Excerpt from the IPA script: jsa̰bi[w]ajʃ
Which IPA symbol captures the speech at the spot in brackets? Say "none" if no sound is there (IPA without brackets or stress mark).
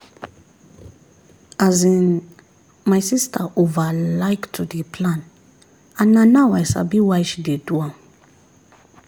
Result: w